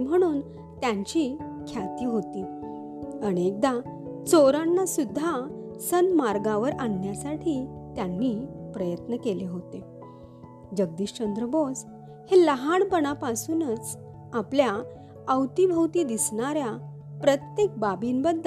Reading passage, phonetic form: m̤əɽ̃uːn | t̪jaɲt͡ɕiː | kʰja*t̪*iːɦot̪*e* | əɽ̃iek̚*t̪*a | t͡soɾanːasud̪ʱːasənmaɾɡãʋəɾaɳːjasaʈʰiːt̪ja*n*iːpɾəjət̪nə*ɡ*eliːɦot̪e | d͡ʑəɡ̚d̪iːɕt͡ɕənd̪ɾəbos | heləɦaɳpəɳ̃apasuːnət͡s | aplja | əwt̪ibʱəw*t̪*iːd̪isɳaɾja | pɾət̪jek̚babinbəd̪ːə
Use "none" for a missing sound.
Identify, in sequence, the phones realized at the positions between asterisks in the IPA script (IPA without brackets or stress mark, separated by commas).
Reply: t̪, i, d̪, nː, k, t̪